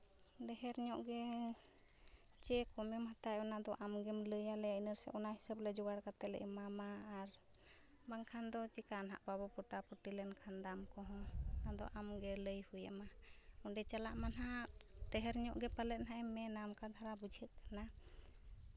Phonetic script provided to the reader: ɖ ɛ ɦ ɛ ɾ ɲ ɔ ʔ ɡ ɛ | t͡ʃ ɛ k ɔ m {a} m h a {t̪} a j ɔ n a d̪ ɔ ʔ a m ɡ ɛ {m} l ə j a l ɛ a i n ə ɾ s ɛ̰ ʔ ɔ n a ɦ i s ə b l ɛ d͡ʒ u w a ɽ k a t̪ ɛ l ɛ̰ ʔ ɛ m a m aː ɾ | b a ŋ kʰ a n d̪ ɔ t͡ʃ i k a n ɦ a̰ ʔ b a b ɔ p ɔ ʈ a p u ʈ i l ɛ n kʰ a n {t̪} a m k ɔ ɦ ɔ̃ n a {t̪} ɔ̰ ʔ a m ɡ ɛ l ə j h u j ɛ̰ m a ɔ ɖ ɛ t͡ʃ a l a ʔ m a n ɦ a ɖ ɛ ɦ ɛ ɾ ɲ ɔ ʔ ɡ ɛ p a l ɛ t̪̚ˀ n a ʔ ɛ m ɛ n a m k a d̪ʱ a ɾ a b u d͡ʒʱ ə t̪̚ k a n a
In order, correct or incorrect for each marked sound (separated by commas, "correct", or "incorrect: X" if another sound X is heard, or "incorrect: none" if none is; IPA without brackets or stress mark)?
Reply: incorrect: ɛ, correct, correct, incorrect: d̪, incorrect: d̪